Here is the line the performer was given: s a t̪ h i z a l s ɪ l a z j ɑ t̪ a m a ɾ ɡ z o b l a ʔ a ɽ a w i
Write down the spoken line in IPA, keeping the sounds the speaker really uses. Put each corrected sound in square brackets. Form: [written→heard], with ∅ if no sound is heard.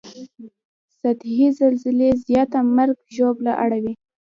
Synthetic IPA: s a t̪ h i z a l [s→z] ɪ l [a→e] z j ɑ t̪ a m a ɾ ɡ [z→ʒ] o b l a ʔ a ɽ a w i